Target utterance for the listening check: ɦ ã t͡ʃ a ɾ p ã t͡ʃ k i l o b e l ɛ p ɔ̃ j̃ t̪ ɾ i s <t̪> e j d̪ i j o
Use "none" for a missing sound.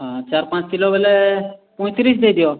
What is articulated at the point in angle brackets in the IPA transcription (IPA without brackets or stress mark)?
d̪